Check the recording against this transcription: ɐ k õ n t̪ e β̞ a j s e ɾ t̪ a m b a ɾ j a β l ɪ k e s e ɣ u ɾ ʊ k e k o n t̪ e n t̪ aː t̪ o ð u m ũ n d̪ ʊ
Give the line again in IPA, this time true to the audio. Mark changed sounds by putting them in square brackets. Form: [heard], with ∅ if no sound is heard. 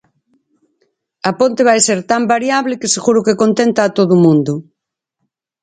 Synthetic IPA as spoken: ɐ [p] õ n t̪ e β̞ a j s e ɾ t̪ a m b a ɾ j a β l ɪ k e s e ɣ u ɾ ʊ k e k o n t̪ e n t̪ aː t̪ o ð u m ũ n d̪ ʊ